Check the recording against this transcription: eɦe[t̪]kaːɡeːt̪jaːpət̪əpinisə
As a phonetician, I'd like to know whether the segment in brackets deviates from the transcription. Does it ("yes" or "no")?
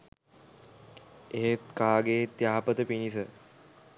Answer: no